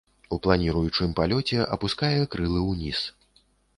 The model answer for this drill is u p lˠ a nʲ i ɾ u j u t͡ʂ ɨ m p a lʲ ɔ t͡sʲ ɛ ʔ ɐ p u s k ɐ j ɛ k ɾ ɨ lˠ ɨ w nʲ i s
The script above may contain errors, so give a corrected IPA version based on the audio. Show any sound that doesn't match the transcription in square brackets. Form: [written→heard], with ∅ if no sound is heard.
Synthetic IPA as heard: u p lˠ a nʲ i ɾ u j u t͡ʂ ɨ m p a lʲ ɔ t͡sʲ ɛ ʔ ɐ p u s k [ɐ→a] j ɛ k ɾ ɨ lˠ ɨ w nʲ i s